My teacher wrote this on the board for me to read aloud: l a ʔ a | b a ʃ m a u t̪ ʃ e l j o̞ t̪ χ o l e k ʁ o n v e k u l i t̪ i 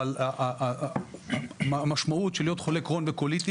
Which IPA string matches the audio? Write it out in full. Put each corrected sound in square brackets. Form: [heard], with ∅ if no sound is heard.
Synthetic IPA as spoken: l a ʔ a | [m] a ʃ m a u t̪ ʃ e l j o̞ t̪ χ o l e k ʁ o n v e k [o] l i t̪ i